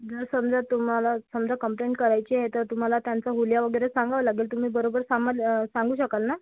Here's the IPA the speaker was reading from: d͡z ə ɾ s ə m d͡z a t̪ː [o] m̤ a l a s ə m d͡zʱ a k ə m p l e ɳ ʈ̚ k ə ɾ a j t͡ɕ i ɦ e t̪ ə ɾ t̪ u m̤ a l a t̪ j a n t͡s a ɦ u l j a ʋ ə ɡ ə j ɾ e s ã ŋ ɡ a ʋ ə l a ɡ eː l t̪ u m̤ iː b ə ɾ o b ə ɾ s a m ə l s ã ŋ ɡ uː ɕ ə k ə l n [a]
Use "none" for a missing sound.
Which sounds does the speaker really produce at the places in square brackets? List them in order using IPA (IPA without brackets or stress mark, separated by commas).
u, a